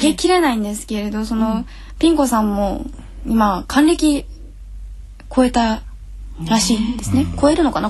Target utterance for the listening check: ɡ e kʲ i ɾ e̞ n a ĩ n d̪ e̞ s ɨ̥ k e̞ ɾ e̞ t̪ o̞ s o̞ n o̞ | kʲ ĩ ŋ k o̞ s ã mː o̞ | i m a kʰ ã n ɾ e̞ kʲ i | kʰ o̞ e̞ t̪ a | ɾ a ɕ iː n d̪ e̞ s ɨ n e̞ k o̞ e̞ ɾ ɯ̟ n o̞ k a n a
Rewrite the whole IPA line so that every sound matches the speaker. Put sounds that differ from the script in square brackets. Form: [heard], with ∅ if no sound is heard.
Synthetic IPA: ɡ e kʲ i ɾ e̞ n a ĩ n d̪ e̞ s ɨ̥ k e̞ ɾ e̞ [d̪] o̞ s o̞ n o̞ | [pʲ] ĩ ŋ k o̞ s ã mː o̞ | i m a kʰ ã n ɾ e̞ kʲ i | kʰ o̞ e̞ t̪ a | ɾ a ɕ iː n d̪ e̞ s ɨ n e̞ k o̞ e̞ ɾ ɯ̟ n o̞ k a n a